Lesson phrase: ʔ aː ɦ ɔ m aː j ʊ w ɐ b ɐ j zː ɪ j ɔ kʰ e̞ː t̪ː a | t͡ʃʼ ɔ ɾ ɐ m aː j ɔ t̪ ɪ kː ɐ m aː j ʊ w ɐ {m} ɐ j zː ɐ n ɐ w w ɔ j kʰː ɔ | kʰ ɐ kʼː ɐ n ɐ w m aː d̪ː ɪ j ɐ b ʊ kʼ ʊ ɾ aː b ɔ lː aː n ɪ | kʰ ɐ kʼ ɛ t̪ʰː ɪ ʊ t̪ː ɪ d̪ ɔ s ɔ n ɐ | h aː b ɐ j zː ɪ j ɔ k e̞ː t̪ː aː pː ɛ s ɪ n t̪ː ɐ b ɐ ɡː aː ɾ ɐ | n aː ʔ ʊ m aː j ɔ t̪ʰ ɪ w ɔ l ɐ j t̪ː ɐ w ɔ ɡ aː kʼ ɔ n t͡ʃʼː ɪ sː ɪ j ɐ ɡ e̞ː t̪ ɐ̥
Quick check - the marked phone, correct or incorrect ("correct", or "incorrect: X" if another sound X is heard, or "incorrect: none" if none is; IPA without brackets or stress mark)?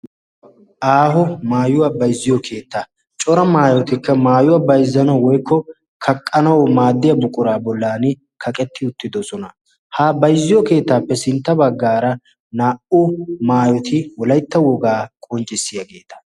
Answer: incorrect: b